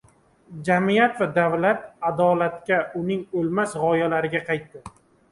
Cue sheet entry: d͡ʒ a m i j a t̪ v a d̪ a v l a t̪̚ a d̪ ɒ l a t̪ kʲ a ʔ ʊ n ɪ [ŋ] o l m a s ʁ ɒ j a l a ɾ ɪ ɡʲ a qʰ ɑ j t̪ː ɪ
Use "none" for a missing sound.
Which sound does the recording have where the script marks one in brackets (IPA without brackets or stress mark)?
ŋ